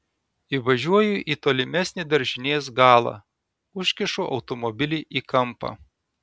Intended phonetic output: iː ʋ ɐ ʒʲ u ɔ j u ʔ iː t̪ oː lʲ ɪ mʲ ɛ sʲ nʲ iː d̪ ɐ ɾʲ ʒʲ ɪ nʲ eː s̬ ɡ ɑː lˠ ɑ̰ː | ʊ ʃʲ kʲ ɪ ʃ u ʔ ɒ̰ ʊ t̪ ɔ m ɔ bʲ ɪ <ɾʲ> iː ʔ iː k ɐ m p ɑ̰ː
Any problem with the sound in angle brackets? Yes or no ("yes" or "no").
yes